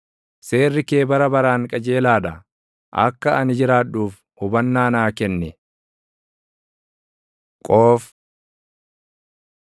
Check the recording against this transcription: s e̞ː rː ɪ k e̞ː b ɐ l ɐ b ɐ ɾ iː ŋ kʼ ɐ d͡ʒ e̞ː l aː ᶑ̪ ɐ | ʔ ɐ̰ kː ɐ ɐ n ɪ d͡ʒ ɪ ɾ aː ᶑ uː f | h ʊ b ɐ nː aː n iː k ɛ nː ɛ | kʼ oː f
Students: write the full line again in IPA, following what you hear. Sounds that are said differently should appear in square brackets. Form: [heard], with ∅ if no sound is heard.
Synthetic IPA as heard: s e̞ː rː ɪ k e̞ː b ɐ [ɾ] ɐ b ɐ ɾ [aː] ŋ kʼ ɐ d͡ʒ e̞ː l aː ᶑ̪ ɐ | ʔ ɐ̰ kː ɐ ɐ n ɪ d͡ʒ ɪ ɾ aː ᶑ uː f | h ʊ b ɐ nː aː n [aː] k ɛ nː ɛ | kʼ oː f